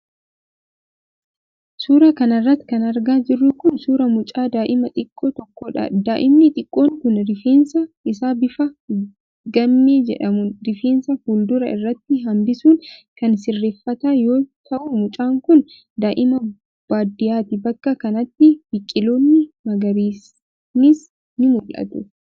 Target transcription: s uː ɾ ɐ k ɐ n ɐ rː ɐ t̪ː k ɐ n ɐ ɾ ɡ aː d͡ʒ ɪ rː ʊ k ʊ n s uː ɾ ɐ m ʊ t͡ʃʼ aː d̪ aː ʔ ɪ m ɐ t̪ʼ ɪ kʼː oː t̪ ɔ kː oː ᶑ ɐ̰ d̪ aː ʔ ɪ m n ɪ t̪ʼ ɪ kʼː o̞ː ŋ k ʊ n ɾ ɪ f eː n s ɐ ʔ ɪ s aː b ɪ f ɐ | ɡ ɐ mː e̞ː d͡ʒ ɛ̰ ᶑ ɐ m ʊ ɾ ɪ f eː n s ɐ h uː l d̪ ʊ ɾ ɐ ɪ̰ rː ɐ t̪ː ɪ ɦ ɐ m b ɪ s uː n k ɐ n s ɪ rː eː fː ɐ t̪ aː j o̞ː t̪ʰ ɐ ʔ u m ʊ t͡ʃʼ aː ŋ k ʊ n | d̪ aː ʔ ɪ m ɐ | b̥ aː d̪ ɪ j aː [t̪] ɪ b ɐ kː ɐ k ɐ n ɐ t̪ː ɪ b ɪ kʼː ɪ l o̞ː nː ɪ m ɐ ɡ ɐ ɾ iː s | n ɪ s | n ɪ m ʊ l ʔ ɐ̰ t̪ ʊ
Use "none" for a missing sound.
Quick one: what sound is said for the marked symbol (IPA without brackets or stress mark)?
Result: t̪